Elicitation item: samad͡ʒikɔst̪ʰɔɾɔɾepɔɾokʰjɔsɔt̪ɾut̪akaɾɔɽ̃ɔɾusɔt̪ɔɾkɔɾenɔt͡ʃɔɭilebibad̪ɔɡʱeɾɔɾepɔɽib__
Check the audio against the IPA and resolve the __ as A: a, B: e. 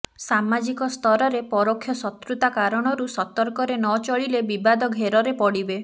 B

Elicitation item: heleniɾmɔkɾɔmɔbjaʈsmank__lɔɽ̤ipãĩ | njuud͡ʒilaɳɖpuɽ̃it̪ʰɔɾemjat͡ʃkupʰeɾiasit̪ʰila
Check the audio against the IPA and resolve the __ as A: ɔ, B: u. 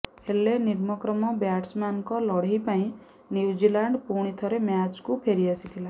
A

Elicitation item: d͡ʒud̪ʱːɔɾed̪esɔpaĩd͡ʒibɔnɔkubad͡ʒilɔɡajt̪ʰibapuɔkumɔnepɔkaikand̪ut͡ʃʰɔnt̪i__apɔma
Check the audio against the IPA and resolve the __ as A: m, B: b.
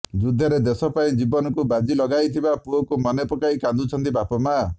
B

